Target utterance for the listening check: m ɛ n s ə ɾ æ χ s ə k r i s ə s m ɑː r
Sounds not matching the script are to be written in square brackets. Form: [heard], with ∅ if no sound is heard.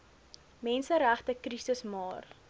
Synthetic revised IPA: m ɛ n s ə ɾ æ χ [t] ə k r i s ə s m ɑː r